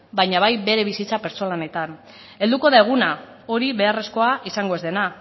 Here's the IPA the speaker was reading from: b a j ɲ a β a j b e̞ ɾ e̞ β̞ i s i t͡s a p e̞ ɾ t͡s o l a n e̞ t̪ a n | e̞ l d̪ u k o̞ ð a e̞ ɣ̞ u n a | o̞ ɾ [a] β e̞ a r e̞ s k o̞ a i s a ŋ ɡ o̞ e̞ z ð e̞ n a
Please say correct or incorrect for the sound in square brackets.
incorrect